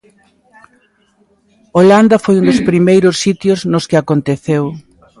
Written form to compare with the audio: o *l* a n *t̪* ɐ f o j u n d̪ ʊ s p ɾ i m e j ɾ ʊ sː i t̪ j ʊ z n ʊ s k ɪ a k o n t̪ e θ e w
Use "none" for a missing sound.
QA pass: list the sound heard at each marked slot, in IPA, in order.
l, d̪

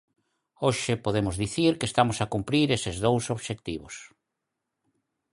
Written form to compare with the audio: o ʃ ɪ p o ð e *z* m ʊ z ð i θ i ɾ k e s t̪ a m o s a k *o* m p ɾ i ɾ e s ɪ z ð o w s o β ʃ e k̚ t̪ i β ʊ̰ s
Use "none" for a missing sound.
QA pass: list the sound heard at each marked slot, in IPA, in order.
none, u

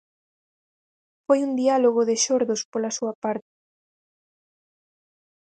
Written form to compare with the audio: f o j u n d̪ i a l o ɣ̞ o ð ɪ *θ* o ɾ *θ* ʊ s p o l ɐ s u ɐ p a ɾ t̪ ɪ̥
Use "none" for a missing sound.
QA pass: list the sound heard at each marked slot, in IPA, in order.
ʃ, ð

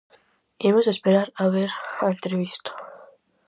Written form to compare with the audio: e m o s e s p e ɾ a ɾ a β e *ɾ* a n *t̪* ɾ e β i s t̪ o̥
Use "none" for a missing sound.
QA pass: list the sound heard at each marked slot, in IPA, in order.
ɾ, t̪

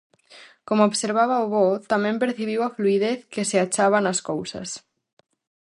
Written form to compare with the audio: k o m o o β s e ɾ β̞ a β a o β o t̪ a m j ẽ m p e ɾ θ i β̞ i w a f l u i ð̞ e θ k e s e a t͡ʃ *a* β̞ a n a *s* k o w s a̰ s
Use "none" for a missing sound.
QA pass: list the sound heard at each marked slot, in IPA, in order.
a, s

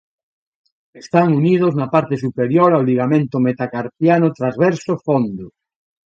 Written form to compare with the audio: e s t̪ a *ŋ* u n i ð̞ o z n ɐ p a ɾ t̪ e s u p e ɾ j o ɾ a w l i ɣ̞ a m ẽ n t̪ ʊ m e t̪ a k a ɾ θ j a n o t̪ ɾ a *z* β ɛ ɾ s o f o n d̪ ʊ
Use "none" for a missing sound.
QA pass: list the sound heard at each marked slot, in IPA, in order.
ŋ, z

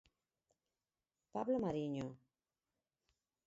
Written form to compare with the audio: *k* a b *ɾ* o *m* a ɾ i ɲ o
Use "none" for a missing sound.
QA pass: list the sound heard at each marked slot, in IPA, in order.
p, l, m

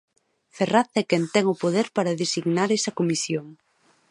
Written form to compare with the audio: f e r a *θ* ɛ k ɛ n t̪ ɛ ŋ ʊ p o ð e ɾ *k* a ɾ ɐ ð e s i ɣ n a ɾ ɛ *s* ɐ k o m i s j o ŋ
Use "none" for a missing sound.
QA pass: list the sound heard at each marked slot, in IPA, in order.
θ, p, s

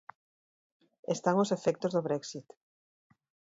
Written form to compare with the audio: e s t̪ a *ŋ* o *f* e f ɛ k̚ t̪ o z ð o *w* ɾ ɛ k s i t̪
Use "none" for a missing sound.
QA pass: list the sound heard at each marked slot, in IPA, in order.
ŋ, s, β

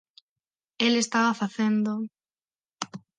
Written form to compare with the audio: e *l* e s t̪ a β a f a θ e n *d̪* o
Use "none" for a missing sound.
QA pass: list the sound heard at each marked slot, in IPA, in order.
l, d̪

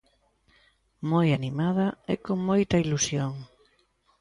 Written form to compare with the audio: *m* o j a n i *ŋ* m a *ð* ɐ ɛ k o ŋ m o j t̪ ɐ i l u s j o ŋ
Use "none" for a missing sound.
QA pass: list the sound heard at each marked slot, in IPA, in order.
m, none, ð

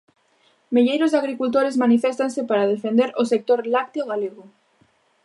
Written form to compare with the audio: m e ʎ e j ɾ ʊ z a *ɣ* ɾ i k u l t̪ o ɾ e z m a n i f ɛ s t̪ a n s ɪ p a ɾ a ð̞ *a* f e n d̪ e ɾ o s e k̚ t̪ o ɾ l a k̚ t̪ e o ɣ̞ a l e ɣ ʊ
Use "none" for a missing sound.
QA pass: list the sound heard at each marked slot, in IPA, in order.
ɣ, e

